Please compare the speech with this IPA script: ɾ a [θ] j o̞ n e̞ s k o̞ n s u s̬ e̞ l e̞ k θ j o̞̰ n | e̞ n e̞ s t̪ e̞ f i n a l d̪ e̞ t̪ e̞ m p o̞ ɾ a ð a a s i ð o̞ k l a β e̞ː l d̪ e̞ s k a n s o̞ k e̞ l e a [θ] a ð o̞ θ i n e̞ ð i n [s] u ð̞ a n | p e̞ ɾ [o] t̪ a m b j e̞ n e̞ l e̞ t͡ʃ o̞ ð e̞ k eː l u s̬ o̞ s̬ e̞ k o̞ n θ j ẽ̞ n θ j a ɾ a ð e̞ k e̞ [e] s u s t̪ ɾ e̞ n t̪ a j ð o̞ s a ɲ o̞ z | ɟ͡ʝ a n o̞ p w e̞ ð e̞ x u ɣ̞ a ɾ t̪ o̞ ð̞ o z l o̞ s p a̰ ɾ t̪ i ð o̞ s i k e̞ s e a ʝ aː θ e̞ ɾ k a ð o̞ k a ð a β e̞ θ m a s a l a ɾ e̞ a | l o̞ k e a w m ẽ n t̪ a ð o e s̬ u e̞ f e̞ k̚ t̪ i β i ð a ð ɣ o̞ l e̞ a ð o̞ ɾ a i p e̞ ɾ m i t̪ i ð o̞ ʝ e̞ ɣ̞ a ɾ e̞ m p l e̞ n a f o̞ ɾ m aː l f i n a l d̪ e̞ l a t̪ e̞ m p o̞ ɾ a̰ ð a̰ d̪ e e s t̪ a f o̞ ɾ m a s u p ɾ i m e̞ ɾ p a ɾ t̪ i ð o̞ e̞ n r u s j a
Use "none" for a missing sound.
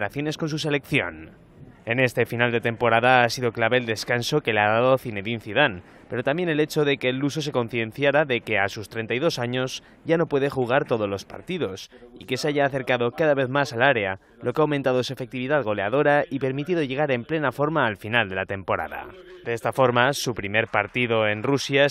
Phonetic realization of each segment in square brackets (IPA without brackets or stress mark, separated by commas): θ, ð, θ, o, a